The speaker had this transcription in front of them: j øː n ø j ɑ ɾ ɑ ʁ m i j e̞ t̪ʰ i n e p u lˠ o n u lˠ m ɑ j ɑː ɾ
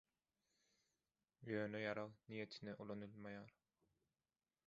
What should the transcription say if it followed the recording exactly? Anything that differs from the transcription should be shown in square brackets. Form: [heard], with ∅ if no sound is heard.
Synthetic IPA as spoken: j øː n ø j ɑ ɾ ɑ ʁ [n] i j e̞ t̪ʰ i n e [ʔ] u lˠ o n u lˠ m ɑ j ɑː ɾ